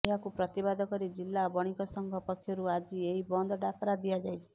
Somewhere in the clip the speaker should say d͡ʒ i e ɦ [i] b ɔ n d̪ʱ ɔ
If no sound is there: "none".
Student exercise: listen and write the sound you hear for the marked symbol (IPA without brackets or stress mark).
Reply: i